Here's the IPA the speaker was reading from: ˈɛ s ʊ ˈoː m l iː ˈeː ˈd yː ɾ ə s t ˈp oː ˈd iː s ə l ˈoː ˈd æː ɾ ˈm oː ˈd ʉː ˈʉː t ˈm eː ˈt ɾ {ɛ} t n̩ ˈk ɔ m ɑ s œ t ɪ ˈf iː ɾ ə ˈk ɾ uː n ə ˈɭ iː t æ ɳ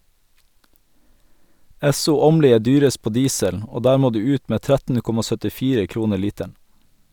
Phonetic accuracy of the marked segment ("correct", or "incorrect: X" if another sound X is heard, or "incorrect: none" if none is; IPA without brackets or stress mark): incorrect: æ